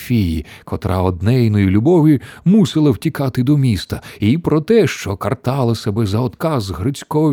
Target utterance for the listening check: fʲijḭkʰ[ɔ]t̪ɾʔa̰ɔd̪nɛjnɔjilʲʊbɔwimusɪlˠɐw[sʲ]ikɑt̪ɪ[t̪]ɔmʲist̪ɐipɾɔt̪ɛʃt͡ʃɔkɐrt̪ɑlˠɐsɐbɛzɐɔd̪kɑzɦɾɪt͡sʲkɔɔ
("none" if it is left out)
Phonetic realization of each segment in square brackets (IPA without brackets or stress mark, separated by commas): ɔ, tʲ, d̪